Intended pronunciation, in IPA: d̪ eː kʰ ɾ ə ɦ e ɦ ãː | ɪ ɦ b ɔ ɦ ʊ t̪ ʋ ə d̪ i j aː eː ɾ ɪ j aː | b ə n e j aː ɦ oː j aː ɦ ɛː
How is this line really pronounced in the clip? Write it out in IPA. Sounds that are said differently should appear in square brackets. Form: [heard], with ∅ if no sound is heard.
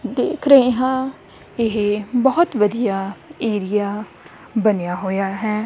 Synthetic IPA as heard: d̪ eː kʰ ɾ ə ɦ e ɦ ãː | ɪ ɦ b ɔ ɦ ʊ t̪ ʋ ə d̪ i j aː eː ɾ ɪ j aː | b ə n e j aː ɦ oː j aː ɦ ɛː